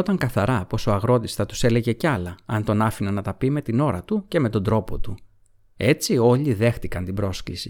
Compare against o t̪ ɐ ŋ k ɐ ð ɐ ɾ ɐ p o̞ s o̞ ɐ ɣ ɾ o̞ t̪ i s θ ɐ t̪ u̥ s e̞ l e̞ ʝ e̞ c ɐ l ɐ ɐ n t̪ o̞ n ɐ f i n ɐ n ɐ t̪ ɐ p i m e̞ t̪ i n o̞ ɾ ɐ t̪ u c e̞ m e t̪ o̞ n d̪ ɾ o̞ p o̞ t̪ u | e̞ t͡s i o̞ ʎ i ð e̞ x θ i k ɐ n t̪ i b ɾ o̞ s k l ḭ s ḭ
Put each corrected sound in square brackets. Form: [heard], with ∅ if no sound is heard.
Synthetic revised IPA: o t̪ ɐ ŋ k ɐ [θ] ɐ ɾ ɐ p o̞ s o̞ ɐ ɣ ɾ o̞ t̪ i s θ ɐ t̪ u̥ s e̞ l e̞ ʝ e̞ c ɐ l ɐ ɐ n t̪ o̞ n ɐ f i n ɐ n ɐ t̪ ɐ p i m e̞ t̪ i n o̞ ɾ ɐ t̪ u c e̞ m e t̪ o̞ n d̪ ɾ o̞ p o̞ t̪ u | e̞ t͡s i o̞ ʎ i ð e̞ x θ i k ɐ n t̪ i b ɾ o̞ s k l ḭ s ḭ